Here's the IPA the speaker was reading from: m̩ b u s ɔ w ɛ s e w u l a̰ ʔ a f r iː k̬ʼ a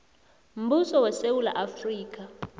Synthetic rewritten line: m̩ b u s ɔ w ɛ s e w u l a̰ ʔ a f r iː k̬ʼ a